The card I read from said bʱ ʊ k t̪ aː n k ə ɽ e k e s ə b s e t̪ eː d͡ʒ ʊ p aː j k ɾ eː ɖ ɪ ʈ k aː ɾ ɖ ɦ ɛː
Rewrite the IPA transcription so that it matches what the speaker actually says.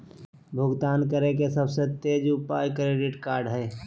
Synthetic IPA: bʱ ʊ ɡ t̪ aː n k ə ɾ e k e s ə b s e t̪ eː d͡ʒ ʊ p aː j k ɾ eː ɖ ɪ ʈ k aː ɾ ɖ ɦ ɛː